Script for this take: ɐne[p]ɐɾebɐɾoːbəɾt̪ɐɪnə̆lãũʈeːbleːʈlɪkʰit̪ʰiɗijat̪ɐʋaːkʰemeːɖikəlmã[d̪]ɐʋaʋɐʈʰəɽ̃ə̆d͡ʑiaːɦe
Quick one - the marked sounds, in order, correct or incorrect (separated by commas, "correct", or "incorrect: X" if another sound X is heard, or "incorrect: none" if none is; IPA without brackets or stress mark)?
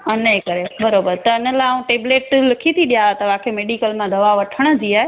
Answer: incorrect: k, correct